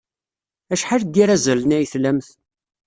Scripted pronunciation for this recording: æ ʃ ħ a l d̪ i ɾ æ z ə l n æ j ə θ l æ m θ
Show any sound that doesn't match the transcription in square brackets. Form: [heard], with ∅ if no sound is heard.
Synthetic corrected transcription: æ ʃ ħ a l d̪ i ɾ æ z ə l n æ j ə θ l æ m θ